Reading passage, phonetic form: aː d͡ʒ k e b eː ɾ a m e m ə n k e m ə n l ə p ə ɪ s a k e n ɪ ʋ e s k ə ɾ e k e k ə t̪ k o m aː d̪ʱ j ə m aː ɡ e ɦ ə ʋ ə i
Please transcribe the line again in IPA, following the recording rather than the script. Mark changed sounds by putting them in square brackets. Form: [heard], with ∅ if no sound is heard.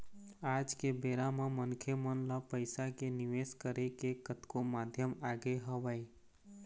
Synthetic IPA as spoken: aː d͡ʒ k e b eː ɾ a m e m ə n [kʰ] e m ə n l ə p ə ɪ s a k e n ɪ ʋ e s k ə ɾ e k e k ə t̪ k o m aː d̪ʱ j ə m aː ɡ e ɦ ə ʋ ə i